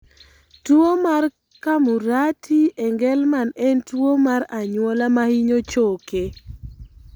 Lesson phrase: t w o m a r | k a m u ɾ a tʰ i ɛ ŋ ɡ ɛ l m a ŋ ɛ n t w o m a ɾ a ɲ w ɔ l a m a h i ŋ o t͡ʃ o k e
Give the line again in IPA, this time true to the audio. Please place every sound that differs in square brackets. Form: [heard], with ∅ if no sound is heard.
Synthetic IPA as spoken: t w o m a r | k a m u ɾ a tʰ i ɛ ŋ ɡ ɛ l m a [n] ɛ n t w o m a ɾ a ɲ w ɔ l a m a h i [ɲ] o t͡ʃ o k e